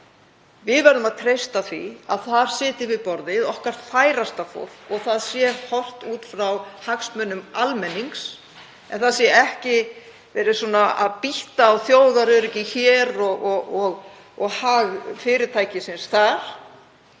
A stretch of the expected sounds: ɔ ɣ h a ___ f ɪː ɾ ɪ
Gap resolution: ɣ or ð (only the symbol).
ɣ